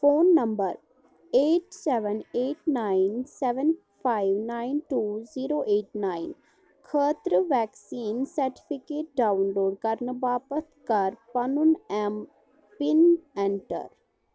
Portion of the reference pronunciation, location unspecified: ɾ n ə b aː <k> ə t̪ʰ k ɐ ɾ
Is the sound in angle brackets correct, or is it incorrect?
incorrect